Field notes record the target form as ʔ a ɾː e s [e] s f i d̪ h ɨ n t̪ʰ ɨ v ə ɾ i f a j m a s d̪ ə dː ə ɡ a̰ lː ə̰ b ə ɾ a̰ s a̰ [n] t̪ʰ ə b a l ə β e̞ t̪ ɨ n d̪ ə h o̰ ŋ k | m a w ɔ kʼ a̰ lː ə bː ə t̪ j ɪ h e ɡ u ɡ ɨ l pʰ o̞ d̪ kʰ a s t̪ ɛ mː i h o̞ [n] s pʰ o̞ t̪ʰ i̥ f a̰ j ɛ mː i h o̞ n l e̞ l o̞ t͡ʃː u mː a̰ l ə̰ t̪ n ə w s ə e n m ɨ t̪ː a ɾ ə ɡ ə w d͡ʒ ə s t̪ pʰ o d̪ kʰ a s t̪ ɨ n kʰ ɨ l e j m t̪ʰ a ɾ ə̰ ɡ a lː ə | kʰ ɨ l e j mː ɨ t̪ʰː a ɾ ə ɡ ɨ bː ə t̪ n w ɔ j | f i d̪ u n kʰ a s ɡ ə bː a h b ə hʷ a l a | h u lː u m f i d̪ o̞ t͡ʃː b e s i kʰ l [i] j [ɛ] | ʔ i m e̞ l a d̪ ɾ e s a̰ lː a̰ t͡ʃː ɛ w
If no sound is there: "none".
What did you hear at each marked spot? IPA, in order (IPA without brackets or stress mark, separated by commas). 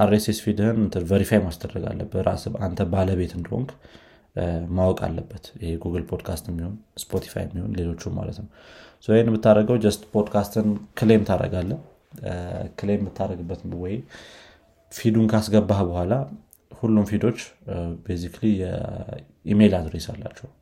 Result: e, n, n, i, ɛ